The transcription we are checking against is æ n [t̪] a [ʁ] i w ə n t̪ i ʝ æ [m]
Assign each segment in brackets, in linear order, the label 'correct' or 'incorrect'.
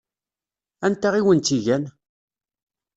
correct, correct, incorrect: n

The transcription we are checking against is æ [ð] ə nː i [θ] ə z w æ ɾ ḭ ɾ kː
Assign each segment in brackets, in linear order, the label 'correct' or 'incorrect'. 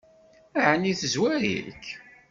incorrect: ʕ, correct

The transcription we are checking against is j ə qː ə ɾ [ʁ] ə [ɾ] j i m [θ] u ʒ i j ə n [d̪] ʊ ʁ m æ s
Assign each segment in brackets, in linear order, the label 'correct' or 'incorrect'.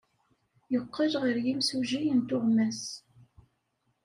correct, correct, incorrect: s, incorrect: t̪

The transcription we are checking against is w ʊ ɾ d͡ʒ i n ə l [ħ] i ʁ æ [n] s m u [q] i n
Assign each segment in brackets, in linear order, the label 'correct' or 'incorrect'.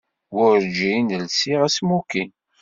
incorrect: s, incorrect: none, incorrect: k

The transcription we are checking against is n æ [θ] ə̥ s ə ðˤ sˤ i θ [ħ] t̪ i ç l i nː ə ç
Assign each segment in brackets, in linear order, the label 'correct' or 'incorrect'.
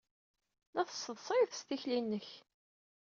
correct, incorrect: s

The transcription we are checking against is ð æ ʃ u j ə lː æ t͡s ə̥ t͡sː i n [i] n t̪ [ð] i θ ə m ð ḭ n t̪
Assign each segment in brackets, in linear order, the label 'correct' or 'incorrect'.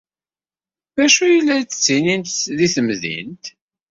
correct, correct

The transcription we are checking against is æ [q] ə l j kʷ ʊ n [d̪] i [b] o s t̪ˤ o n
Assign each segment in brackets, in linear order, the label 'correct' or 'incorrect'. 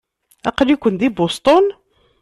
correct, correct, correct

